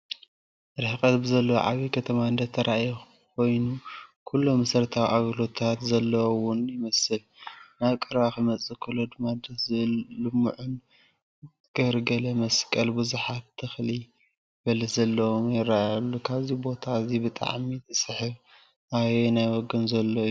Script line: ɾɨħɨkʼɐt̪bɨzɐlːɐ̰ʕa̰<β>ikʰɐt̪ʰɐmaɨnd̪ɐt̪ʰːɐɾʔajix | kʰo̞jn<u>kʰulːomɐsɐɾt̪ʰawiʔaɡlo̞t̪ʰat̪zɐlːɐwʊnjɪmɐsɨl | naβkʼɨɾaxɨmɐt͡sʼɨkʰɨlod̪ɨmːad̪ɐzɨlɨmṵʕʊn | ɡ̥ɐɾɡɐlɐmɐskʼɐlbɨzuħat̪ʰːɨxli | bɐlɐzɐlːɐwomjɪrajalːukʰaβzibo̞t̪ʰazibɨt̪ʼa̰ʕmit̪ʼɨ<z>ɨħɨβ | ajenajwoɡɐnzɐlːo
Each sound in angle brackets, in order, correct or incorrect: correct, correct, incorrect: s

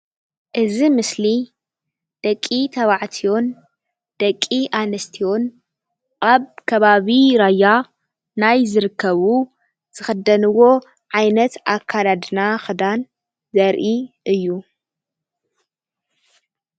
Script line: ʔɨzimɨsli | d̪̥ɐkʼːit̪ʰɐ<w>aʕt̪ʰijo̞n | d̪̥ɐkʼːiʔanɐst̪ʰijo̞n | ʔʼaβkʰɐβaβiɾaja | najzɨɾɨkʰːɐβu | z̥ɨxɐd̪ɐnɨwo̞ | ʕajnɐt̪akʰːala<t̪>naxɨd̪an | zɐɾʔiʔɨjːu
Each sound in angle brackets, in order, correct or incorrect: incorrect: β, incorrect: d̪

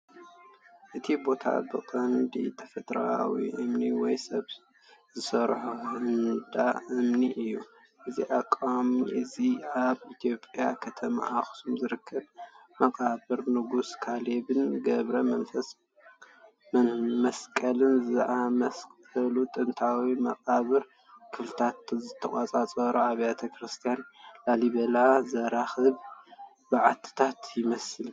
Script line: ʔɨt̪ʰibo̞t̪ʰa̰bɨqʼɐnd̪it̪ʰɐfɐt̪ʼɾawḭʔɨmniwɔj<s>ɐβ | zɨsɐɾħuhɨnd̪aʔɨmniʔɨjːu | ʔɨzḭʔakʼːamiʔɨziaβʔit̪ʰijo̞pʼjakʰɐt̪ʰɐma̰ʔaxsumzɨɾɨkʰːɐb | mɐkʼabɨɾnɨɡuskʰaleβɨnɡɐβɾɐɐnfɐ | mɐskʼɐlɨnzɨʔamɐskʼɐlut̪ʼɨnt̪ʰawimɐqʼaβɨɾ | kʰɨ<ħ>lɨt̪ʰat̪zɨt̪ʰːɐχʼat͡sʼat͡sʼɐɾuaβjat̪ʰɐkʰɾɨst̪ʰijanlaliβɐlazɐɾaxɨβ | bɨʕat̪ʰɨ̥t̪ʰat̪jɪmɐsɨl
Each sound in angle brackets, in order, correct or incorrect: correct, incorrect: f

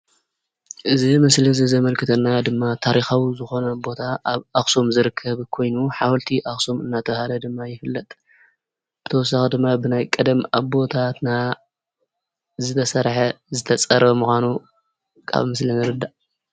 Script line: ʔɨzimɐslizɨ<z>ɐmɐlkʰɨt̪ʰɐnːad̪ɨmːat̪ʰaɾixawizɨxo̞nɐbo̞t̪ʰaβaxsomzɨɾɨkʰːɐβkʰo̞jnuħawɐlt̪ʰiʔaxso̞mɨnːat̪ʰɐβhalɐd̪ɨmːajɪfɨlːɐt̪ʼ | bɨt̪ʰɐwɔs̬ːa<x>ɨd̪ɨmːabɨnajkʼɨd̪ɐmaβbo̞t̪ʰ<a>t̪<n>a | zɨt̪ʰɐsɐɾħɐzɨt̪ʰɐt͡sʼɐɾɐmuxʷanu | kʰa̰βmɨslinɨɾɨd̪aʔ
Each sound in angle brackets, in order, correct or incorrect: correct, correct, correct, correct

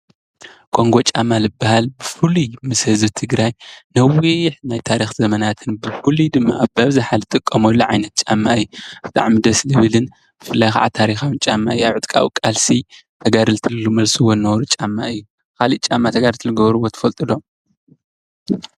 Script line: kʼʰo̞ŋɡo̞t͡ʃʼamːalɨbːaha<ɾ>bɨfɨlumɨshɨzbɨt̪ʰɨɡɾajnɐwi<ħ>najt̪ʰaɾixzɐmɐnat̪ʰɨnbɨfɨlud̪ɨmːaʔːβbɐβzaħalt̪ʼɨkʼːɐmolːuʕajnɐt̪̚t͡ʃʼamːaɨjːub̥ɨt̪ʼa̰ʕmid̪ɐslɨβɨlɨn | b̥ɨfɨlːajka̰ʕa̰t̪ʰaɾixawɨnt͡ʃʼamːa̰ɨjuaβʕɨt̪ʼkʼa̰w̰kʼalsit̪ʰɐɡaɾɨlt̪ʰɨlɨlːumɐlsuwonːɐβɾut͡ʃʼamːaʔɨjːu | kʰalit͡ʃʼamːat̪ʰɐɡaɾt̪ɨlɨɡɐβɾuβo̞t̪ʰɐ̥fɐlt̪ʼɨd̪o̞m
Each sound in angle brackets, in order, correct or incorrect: incorrect: l, correct

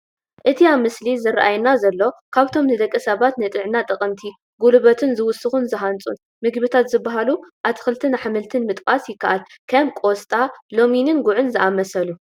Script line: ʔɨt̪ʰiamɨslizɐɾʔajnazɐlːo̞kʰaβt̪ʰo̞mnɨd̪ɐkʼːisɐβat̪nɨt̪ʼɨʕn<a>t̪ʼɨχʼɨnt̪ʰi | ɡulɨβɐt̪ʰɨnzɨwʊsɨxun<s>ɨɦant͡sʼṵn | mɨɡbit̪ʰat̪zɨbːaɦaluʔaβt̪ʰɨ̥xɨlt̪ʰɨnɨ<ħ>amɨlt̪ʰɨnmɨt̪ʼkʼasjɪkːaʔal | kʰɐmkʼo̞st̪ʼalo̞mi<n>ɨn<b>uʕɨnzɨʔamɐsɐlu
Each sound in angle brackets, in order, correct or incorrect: correct, incorrect: z, correct, correct, incorrect: ɡ

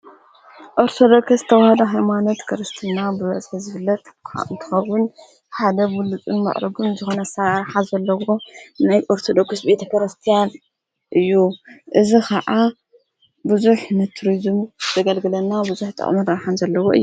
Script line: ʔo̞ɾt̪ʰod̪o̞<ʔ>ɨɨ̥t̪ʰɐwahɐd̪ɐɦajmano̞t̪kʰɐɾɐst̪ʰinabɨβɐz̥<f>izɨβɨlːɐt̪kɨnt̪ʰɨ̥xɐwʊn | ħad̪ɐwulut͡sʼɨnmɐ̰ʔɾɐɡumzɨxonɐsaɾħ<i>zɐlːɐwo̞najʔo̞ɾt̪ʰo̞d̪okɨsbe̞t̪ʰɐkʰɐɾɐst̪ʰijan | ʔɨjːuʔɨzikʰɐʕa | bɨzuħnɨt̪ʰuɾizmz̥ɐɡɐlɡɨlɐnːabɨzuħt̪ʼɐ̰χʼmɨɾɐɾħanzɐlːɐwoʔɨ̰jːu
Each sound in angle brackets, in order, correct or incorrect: incorrect: k, incorrect: ħ, incorrect: a

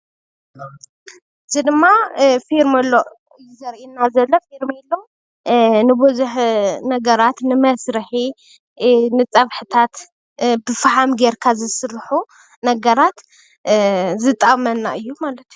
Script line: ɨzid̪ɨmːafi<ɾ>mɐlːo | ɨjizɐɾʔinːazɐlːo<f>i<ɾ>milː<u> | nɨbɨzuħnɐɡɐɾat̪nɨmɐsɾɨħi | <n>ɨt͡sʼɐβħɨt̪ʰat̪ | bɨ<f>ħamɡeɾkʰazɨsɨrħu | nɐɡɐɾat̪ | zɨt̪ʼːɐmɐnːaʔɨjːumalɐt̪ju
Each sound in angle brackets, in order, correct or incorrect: correct, correct, correct, incorrect: o, correct, correct

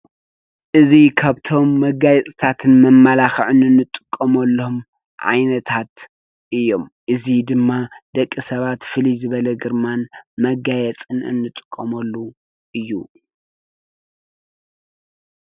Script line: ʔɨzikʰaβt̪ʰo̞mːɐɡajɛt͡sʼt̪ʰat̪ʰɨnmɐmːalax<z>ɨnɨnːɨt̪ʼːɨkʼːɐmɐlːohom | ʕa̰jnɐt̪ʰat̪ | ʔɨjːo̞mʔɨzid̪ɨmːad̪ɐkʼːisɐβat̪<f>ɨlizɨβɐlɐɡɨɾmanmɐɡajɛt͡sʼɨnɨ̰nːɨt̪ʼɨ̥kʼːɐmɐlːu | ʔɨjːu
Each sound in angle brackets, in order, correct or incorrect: incorrect: ʕ, correct

